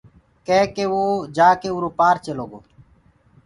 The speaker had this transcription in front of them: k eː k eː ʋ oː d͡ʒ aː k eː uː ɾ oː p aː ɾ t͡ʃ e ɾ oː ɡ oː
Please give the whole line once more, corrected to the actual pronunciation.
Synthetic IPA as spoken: k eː k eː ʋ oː d͡ʒ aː k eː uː ɾ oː p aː ɾ t͡ʃ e l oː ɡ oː